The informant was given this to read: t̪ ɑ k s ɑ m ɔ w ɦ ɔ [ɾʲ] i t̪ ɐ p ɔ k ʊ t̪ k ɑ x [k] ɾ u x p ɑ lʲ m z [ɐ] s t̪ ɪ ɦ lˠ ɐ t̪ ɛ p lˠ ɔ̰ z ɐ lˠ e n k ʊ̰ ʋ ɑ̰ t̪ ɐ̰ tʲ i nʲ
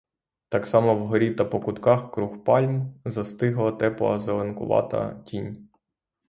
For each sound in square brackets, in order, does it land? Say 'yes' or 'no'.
yes, yes, yes

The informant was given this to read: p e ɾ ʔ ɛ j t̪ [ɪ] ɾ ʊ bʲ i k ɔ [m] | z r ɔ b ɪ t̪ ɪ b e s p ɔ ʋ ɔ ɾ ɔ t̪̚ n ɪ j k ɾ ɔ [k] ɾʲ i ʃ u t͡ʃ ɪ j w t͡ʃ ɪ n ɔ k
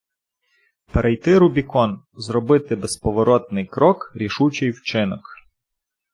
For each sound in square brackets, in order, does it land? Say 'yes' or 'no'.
yes, no, yes

